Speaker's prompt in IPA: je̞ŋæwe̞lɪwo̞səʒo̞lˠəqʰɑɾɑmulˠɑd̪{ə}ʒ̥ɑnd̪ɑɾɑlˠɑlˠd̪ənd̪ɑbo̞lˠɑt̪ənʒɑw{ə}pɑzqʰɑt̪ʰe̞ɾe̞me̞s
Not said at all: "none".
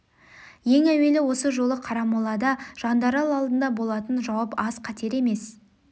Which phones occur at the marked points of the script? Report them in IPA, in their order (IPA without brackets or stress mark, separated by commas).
ɑ, ɑ